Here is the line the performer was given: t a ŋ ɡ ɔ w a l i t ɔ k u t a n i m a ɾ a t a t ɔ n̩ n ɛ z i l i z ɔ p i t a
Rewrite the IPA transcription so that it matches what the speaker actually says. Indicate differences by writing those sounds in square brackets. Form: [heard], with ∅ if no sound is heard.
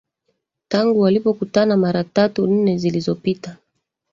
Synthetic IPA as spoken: t a ŋ ɡ [u] w a l i [p] ɔ k u t a n [a] m a ɾ a t a t [u] n̩ n ɛ z i l i z ɔ p i t a